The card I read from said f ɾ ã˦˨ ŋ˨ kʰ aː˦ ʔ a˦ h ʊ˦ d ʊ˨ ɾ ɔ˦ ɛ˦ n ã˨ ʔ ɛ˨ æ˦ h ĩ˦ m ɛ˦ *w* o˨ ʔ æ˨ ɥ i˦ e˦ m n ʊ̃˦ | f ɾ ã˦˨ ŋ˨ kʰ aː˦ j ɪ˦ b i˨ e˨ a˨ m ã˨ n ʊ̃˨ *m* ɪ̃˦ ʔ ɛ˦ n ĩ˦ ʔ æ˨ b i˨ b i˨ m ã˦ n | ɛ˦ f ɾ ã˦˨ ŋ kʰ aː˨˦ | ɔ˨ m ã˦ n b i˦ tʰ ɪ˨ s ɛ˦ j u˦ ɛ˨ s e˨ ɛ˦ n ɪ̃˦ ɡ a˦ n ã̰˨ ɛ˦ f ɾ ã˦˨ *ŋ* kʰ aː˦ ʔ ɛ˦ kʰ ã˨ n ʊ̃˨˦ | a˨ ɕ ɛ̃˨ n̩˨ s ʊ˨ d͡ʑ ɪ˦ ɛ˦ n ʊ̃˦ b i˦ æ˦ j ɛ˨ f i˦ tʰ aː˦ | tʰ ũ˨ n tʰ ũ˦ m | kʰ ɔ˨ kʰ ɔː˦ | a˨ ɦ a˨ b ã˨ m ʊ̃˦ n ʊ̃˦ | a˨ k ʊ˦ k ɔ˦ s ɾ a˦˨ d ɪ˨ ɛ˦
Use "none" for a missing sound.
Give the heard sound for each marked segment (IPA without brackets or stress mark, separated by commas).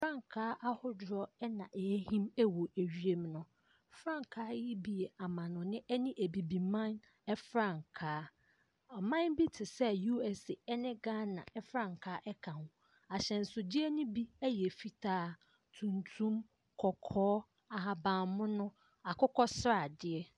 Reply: w, n, ŋ